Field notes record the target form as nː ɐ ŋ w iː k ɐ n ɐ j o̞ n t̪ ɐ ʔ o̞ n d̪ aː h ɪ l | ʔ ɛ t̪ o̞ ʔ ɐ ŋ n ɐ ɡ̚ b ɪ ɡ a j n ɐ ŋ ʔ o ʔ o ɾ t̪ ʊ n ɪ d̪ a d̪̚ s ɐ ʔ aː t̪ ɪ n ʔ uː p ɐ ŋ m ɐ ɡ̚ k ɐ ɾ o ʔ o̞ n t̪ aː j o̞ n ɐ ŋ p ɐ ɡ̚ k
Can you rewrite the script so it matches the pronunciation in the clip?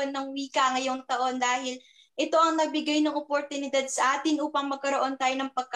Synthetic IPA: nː ɐ ŋ w iː k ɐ ŋ ɐ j o̞ ŋ t̪ ɐ ʔ o̞ n d̪ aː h ɪ l | ʔ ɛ t̪ o̞ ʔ ɐ ŋ n ɐ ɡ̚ b ɪ ɡ a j n ɐ ŋ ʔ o p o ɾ t̪ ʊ n ɪ d̪ a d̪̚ s ɐ ʔ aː t̪ ɪ n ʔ uː p ɐ ŋ m ɐ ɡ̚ k ɐ ɾ o ʔ o̞ n t̪ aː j o̞ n ɐ ŋ p ɐ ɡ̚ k